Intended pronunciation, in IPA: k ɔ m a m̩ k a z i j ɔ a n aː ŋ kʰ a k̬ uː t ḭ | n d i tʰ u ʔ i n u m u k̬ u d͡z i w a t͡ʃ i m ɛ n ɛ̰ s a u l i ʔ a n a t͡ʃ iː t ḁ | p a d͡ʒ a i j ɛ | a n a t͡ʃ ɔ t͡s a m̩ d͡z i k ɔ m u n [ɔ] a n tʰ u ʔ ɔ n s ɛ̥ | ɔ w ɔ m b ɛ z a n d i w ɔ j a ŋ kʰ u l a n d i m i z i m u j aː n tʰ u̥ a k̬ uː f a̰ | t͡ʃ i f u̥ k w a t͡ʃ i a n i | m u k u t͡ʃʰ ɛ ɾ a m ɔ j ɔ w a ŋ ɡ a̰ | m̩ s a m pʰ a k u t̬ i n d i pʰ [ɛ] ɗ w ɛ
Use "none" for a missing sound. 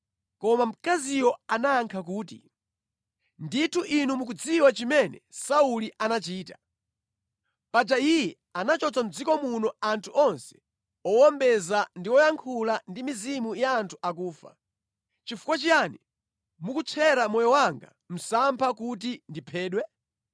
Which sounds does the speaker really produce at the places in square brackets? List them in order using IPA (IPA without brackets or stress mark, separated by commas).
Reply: ɔ, ɛː